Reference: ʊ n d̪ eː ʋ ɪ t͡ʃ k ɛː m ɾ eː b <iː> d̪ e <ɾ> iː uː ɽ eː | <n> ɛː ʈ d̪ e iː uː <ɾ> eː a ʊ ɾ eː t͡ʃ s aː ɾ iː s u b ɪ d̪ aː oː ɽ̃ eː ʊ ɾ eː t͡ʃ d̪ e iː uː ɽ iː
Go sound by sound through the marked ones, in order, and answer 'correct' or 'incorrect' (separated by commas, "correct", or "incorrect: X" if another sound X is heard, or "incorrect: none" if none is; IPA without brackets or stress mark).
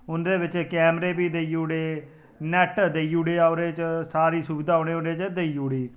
correct, incorrect: none, correct, incorrect: ɽ